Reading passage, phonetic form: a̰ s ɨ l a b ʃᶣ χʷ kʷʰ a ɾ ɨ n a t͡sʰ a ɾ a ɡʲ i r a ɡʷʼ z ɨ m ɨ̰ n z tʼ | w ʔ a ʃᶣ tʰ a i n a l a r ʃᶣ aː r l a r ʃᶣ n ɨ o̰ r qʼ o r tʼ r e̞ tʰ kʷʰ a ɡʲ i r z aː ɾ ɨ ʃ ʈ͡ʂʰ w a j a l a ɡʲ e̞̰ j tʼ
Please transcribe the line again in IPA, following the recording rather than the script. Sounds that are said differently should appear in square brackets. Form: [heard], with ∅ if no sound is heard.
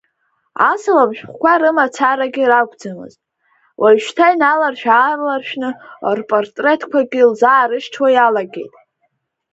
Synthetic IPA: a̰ s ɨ l a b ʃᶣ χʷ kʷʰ a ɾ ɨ [m] a t͡sʰ a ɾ a ɡʲ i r a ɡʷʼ [d͡z] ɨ m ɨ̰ [∅] z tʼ | w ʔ a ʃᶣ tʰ a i n a l a r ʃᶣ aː r l a r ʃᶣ n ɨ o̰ r [pʼ] o r tʼ r e̞ tʰ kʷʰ a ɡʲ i [l] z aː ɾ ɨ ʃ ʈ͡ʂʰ w a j a l a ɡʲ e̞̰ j tʼ